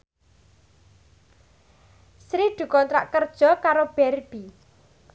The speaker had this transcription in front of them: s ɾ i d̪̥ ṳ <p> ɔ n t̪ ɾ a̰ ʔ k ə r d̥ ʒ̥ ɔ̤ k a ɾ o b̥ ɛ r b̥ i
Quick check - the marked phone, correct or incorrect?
incorrect